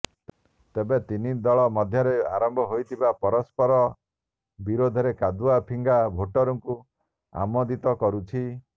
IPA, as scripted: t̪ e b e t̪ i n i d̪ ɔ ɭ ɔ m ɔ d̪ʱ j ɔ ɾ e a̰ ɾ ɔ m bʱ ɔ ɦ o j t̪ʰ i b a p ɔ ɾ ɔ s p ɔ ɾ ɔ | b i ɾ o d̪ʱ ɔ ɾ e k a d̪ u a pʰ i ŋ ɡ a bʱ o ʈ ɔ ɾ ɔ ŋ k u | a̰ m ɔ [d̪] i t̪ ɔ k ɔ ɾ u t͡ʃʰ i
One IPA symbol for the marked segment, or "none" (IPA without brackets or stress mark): d̪